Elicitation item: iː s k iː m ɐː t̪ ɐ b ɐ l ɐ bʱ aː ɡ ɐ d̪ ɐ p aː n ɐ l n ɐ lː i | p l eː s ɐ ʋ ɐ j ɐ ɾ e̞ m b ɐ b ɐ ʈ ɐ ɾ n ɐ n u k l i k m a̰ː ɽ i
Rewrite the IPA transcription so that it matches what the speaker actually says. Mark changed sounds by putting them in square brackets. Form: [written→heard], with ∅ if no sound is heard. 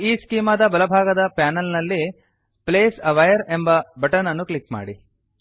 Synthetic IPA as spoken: iː s k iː m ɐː [t̪→d̪] ɐ b ɐ l ɐ bʱ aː ɡ ɐ d̪ ɐ p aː n ɐ l n ɐ lː i | p l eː s ɐ ʋ ɐ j ɐ ɾ e̞ m b ɐ b ɐ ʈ ɐ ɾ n ɐ [n→nː] u k l i k m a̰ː ɽ i